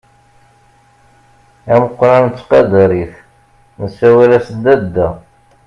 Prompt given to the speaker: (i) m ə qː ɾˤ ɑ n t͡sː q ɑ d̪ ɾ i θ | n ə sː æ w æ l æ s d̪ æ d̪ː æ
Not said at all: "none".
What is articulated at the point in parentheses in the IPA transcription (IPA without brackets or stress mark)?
æ